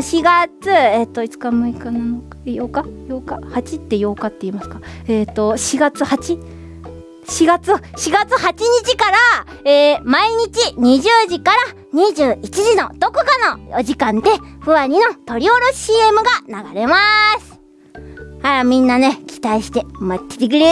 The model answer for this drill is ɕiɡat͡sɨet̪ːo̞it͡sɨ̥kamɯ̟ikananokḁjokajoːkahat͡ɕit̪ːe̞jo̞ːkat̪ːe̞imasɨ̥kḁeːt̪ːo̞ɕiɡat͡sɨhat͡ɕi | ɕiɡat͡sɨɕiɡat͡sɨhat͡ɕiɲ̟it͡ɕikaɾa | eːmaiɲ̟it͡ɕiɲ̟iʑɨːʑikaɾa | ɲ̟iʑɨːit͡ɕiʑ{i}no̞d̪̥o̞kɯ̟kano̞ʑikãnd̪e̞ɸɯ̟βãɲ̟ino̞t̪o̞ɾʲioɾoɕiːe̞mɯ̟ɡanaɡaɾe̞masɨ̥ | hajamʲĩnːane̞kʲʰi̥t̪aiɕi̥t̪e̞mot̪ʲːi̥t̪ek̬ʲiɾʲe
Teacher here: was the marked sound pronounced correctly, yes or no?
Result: yes